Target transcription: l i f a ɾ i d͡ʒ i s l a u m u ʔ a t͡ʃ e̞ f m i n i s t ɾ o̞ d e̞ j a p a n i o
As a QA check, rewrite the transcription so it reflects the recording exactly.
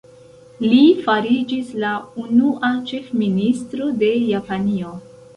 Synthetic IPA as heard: l i f a ɾ i d͡ʒ i s l a u n u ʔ a t͡ʃ e̞ f m i n i s t ɾ o̞ d e̞ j a p a n i o